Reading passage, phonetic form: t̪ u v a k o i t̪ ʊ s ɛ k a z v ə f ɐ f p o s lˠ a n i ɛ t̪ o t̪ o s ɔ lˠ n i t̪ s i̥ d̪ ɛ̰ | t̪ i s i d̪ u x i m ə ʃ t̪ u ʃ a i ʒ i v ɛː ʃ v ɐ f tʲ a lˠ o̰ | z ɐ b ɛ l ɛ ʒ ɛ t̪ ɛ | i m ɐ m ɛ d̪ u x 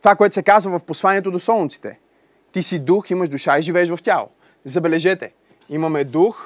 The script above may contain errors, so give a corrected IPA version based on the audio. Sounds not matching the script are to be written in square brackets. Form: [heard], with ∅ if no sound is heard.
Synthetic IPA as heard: t̪ [o] v a k o [ɛ] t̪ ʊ s ɛ k a z v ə [v] ɐ f p o s lˠ a n i ɛ t̪ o [d̪] o s ɔ lˠ n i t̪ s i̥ [t̪] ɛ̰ | t̪ i s i d̪ u x i m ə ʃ [d̪] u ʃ a i ʒ i v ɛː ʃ v ɐ f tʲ a lˠ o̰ | z ɐ b ɛ l ɛ ʒ ɛ t̪ ɛ | i m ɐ m ɛ d̪ u x